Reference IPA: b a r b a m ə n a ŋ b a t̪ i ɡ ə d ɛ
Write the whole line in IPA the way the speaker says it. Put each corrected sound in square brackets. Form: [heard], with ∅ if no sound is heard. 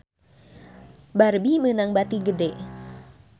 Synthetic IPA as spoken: b a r b [i] m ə n a ŋ b a t̪ i ɡ ə d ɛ

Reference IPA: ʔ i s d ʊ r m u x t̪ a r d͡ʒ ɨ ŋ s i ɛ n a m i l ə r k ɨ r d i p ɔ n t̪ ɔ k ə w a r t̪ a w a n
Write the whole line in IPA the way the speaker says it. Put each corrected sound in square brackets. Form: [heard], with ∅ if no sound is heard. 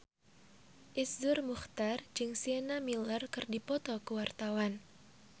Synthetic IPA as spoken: ʔ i s d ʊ r m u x t̪ a r d͡ʒ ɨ ŋ s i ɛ n a m i l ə r k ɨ r d i p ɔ [∅] t̪ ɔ k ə w a r t̪ a w a n

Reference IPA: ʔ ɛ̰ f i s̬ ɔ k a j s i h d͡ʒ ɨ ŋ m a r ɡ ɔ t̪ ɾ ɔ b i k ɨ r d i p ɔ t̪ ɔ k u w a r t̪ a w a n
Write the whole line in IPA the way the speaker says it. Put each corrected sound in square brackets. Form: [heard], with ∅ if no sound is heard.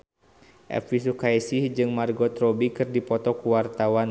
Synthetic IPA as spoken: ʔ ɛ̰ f i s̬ [u] k a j s i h d͡ʒ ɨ ŋ m a r ɡ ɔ t̪ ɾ ɔ b i k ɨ r d i p ɔ t̪ ɔ k u w a r t̪ a w a n

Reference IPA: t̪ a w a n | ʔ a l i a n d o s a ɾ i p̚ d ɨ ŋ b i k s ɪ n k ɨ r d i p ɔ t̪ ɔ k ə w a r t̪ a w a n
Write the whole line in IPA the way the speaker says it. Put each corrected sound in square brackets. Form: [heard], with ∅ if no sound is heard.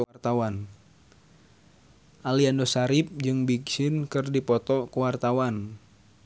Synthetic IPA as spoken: t̪ a w a n | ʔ a l i a n d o s a ɾ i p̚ [d͡ʒ] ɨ ŋ b i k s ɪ n k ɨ r d i p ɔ t̪ ɔ k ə w a r t̪ a w a n

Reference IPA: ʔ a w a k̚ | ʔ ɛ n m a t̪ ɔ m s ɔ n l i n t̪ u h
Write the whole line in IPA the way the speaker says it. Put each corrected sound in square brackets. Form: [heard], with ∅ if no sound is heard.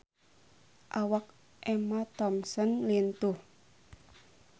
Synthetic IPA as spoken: ʔ a w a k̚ | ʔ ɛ [∅] m a t̪ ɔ m s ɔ n l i n t̪ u h

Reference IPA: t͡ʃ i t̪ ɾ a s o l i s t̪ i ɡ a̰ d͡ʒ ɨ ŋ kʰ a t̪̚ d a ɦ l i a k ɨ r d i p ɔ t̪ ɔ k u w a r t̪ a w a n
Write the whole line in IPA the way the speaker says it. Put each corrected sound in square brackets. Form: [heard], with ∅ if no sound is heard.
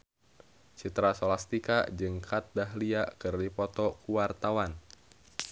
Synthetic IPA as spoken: t͡ʃ i t̪ ɾ a s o l [a] s t̪ i [k] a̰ d͡ʒ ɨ ŋ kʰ a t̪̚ d a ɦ l i a k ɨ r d i p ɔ t̪ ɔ k u w a r t̪ a w a n

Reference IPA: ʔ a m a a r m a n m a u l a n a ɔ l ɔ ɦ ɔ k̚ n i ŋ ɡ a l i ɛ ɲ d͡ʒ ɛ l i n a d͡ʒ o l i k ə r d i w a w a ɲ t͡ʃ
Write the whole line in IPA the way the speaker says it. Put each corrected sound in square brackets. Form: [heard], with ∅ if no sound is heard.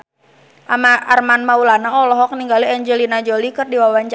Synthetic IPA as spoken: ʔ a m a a r m a n m a u l a n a ɔ l ɔ ɦ ɔ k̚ n i ŋ ɡ a l i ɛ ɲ d͡ʒ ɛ l i n a d͡ʒ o l i k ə r d i w a w a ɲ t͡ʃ

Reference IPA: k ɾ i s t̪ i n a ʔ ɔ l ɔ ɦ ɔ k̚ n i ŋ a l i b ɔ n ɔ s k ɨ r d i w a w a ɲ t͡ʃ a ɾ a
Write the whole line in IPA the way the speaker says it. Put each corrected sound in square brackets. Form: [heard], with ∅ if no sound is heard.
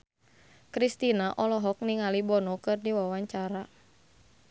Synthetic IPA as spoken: k ɾ i s t̪ i n a ʔ ɔ l ɔ ɦ ɔ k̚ n i ŋ a l i b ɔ n ɔ [∅] k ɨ r d i w a w a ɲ t͡ʃ a ɾ a

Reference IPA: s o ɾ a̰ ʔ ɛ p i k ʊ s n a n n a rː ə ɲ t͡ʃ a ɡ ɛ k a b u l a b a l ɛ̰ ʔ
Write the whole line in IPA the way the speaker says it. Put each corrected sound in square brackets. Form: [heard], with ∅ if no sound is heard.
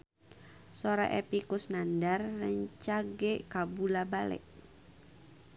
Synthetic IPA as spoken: s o ɾ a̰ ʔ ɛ p i k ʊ s n a n [d] a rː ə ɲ t͡ʃ a ɡ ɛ k a b u l a b a l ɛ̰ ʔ

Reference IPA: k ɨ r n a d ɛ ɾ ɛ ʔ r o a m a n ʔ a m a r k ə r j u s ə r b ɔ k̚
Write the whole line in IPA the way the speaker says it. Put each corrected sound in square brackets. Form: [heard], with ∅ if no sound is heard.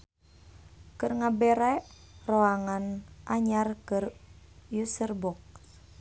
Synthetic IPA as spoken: k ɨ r [ŋ] a [b] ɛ ɾ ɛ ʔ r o a [ŋ] a n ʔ a [ɲ] a r k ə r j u s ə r b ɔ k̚

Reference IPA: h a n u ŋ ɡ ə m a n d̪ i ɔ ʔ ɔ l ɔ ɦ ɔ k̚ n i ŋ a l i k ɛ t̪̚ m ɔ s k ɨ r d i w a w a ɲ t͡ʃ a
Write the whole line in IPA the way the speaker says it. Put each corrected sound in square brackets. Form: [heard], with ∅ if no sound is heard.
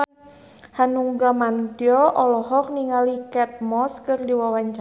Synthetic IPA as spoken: h a n u ŋ ɡ [a] m a n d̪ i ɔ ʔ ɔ l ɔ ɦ ɔ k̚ n i ŋ a l i k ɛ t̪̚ m ɔ s k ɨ r d i w a w a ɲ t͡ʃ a

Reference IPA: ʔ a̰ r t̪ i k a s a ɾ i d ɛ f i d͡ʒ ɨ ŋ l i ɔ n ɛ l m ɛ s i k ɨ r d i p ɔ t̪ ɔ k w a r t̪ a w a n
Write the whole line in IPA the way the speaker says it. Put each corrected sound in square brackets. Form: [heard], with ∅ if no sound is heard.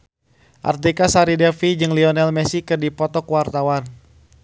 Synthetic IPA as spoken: ʔ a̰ r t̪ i k a s a ɾ i d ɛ f i d͡ʒ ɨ ŋ l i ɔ n ɛ l m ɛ s i k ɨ r d i p ɔ t̪ ɔ k w a r t̪ a w a n

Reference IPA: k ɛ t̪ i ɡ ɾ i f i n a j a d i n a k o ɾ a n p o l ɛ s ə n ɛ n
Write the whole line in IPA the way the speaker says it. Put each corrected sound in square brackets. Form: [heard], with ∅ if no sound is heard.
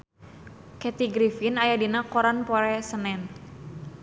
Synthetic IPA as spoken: k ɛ t̪ i ɡ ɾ i f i n a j a d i n a k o ɾ a n p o [ɾ] ɛ s ə n ɛ n

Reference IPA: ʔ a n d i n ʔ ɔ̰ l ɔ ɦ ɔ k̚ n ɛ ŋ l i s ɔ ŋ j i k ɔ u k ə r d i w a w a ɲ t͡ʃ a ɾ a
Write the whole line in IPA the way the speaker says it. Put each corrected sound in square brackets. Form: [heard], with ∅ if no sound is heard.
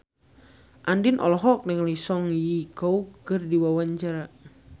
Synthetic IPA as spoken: ʔ a n d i n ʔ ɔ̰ l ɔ ɦ ɔ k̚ n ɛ ŋ l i s ɔ ŋ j i k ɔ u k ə r d i w a w a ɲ t͡ʃ a ɾ a

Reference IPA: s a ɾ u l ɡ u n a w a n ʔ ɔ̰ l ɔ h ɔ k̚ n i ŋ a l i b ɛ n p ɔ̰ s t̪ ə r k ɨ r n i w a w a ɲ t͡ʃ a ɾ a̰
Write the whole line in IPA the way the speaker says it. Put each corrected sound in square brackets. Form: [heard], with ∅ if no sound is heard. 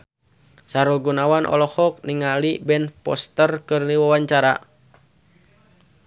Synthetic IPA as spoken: s a ɾ u l ɡ u n a w a n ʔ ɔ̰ l ɔ h ɔ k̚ n i ŋ a l i b ɛ n p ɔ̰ s t̪ ə r k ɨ r n i w a w a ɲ t͡ʃ a ɾ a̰

